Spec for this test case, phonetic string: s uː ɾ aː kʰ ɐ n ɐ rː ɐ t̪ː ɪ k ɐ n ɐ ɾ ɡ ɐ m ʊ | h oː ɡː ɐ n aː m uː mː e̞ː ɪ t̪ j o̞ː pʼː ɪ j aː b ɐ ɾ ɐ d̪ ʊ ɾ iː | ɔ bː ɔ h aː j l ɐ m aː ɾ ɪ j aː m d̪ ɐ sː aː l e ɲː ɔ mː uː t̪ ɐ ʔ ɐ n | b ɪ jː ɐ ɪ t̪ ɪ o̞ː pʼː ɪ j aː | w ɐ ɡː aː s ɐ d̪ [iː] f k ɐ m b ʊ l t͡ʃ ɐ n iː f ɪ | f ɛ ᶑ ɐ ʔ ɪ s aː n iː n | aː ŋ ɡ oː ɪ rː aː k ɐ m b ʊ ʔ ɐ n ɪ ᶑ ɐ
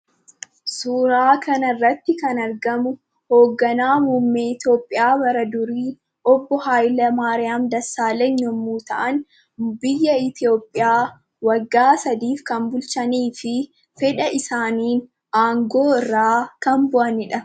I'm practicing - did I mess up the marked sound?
no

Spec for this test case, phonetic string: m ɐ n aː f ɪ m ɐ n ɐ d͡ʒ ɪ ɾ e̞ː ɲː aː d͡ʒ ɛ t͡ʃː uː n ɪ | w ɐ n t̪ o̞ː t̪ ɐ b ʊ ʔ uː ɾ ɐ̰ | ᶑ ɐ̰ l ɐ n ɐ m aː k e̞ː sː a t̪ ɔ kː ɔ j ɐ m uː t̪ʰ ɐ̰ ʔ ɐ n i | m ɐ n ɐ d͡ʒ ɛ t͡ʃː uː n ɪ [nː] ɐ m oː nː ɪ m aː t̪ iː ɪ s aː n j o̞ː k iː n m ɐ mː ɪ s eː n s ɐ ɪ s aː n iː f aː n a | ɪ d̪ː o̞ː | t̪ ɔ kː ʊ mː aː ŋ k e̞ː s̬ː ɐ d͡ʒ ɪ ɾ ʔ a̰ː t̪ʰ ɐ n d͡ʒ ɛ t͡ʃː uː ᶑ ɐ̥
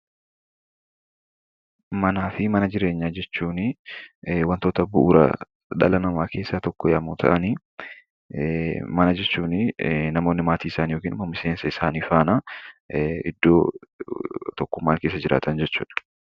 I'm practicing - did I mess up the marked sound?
yes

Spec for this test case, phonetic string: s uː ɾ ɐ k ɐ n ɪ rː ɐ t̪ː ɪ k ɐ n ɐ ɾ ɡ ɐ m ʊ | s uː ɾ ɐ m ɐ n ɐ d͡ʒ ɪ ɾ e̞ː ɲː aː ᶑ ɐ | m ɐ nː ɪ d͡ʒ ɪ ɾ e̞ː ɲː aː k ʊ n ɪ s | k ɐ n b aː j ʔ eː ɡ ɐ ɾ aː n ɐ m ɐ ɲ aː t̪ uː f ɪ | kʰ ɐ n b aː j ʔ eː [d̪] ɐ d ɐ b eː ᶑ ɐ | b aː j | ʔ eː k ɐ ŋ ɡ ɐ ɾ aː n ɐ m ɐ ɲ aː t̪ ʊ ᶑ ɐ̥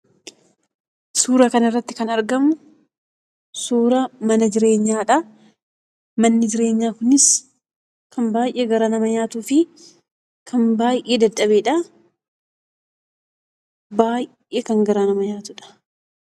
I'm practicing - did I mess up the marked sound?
no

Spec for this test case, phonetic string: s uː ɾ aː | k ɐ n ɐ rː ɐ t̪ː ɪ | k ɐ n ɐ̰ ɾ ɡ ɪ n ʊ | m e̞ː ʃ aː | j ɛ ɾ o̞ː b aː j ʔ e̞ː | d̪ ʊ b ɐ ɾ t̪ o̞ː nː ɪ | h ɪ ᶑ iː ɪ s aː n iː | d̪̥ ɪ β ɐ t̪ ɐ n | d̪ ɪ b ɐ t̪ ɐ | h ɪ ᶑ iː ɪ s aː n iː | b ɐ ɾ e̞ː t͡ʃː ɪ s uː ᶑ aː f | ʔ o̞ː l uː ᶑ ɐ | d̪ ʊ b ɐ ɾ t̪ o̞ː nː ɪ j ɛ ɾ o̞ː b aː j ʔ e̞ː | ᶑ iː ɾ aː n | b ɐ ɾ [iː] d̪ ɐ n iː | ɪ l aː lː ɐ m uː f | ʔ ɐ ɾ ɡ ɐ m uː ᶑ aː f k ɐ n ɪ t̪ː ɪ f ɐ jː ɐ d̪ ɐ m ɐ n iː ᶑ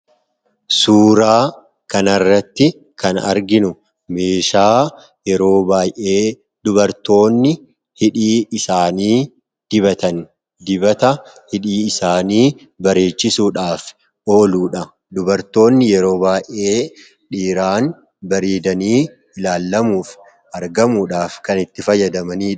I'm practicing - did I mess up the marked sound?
no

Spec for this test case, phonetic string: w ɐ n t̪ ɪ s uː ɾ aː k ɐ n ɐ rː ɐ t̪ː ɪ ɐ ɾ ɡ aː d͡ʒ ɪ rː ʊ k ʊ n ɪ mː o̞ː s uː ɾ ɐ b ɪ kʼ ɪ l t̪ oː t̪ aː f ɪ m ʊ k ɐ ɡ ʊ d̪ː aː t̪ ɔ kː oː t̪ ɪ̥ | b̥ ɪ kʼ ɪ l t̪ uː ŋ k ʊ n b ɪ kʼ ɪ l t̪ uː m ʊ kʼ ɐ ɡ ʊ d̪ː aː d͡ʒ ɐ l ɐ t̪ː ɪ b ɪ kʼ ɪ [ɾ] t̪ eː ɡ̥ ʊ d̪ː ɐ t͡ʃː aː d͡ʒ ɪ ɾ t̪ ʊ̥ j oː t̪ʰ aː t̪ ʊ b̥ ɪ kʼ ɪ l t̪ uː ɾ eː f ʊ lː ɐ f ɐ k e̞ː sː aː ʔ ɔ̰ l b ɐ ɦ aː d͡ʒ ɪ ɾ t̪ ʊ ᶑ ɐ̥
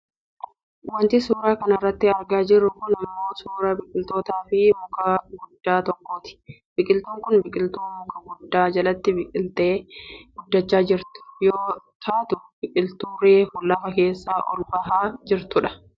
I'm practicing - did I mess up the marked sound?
yes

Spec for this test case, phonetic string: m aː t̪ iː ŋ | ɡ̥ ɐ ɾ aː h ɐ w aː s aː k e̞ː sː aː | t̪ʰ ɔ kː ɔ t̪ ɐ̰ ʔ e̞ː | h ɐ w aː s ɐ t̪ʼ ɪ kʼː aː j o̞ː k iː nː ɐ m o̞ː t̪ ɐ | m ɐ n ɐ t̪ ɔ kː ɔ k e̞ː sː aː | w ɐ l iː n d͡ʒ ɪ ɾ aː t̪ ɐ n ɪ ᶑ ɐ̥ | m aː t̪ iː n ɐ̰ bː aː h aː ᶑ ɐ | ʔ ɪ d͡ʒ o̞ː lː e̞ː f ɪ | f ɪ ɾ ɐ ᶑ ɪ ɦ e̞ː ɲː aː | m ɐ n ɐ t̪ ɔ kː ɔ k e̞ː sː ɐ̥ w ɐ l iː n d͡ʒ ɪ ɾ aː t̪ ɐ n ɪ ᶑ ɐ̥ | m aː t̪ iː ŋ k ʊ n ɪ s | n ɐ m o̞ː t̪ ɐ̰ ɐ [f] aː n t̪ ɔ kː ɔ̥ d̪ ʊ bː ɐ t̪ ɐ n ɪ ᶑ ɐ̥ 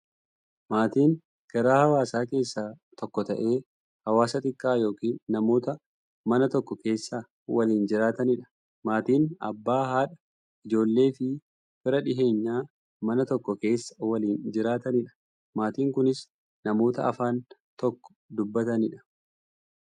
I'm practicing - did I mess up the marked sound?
no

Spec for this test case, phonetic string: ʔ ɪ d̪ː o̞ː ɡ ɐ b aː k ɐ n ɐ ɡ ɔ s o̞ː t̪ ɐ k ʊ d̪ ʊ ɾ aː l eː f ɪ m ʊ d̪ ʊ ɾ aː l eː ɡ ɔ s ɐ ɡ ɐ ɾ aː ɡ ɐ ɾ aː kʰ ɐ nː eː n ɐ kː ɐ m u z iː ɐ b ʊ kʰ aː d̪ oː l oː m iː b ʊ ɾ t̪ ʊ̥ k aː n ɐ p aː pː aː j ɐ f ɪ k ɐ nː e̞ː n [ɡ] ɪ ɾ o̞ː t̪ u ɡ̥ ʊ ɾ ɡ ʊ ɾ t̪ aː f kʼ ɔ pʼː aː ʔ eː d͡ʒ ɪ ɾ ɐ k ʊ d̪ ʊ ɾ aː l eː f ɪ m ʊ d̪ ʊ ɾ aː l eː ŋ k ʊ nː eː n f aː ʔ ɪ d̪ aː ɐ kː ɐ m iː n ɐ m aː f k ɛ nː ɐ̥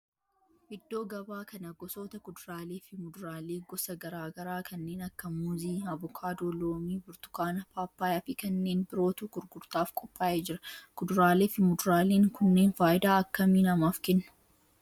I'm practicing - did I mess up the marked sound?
yes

